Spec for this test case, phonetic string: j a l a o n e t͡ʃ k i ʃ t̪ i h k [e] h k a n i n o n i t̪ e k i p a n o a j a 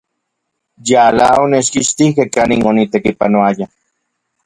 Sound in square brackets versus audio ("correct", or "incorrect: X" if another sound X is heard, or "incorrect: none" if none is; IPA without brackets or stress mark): correct